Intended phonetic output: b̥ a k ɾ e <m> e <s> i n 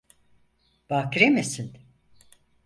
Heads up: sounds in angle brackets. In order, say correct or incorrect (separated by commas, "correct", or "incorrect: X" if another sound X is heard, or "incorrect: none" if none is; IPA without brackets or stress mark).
correct, correct